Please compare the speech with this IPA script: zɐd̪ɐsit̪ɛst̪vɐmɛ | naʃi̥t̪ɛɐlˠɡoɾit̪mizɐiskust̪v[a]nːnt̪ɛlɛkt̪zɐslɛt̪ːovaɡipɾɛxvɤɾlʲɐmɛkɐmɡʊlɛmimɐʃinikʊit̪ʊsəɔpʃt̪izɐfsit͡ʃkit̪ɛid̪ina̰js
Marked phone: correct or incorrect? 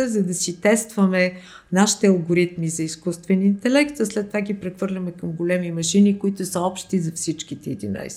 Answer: incorrect